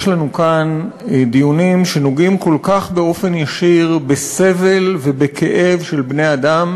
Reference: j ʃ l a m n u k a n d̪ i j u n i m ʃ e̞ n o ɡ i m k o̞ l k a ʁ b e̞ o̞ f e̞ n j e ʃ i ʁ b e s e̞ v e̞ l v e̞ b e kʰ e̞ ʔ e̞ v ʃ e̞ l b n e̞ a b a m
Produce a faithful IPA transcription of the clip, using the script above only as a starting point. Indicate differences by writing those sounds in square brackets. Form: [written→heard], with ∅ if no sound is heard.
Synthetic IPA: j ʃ l a [m→∅] n u k a n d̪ i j u n i m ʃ e̞ n o ɡ i m k o̞ l k a [ʁ→χ] b e̞ o̞ f e̞ n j [e→a] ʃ i ʁ b e s e̞ v e̞ l v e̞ b e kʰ e̞ ʔ e̞ v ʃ e̞ l b n e̞ a [b→d] a m